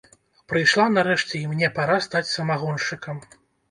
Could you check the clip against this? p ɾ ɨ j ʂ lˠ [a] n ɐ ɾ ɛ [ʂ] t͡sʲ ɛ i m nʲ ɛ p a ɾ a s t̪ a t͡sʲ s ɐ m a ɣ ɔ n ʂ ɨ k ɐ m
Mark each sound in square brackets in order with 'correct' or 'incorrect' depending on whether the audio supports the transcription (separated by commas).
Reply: correct, correct